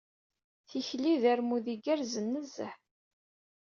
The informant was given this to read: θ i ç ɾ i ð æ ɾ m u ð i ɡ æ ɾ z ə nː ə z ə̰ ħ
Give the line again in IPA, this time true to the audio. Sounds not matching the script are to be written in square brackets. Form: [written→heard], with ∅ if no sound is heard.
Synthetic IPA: θ i ç [ɾ→l] i ð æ ɾ m u ð i ɡ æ ɾ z ə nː ə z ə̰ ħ